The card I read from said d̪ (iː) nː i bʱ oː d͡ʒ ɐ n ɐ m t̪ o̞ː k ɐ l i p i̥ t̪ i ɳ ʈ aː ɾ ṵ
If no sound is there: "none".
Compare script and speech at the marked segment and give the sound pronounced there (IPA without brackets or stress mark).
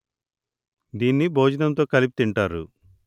iː